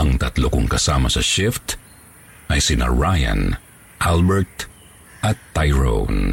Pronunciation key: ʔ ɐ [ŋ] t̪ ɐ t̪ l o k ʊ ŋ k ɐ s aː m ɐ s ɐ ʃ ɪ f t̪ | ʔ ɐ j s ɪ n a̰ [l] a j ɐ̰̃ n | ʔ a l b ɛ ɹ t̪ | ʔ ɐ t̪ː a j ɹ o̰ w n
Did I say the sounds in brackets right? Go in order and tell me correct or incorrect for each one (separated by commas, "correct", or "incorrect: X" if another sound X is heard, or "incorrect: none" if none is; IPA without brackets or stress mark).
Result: correct, incorrect: ɹ